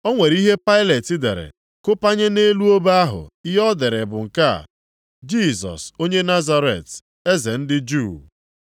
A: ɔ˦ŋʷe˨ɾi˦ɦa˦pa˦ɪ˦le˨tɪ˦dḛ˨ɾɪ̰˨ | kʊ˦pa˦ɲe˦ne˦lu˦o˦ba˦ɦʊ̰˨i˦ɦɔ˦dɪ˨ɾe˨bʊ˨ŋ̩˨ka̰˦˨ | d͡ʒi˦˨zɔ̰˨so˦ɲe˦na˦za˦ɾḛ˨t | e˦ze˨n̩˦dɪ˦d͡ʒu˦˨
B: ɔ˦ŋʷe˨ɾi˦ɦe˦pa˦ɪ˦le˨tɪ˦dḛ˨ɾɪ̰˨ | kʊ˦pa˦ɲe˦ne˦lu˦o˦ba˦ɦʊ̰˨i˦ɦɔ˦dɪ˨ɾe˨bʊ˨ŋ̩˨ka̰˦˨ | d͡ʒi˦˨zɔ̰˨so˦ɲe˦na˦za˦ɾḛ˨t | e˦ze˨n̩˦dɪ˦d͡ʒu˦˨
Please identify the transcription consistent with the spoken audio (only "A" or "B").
B